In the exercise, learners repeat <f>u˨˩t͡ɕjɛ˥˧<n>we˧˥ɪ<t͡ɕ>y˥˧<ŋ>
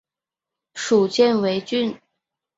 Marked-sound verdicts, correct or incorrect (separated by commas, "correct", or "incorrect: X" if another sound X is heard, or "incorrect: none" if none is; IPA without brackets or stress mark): incorrect: ʂ, correct, correct, incorrect: n